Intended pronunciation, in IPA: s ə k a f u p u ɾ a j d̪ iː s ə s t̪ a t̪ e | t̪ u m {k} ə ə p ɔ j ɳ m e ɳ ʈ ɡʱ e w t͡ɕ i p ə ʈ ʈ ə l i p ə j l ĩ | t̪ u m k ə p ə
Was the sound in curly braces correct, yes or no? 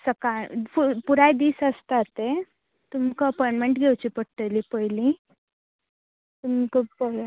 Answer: yes